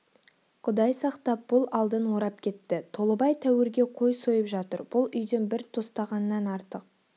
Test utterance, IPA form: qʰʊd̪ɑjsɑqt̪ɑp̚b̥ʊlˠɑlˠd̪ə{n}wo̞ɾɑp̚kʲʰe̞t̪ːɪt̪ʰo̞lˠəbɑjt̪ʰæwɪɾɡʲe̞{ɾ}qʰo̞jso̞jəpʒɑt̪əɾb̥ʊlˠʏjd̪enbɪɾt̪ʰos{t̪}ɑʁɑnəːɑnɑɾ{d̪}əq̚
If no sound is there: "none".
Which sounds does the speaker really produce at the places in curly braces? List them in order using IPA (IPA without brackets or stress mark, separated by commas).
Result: n, none, t̪, t̪